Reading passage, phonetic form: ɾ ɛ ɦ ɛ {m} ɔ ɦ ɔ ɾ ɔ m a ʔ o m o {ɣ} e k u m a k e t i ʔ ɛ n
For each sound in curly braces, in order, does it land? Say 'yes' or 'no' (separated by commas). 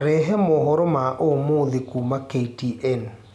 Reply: yes, no